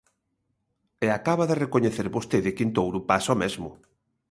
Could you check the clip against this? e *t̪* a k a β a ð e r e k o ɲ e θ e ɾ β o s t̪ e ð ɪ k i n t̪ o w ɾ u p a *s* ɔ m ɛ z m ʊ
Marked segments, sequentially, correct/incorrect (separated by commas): incorrect, correct